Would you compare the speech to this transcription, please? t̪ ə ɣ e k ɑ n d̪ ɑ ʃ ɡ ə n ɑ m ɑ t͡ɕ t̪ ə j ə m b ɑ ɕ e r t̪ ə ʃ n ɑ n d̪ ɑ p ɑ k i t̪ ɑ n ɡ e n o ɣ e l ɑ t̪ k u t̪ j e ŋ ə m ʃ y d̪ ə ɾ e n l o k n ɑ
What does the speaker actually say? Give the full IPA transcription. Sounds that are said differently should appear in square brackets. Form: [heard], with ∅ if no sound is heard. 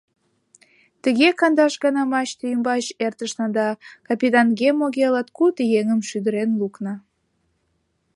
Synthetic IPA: t̪ ə ɣ e k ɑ n d̪ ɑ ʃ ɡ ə n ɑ m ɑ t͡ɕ t̪ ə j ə m b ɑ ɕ e r t̪ ə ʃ n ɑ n d̪ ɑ [k] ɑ [p] i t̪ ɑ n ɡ e [m] o ɣ e l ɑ t̪ k u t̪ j e ŋ ə m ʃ y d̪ ə ɾ e n l [u] k n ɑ